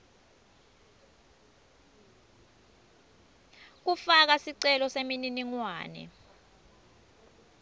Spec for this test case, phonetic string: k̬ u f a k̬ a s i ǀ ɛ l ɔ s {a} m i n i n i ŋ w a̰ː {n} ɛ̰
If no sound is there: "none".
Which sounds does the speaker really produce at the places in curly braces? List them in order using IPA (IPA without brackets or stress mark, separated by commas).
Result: e, n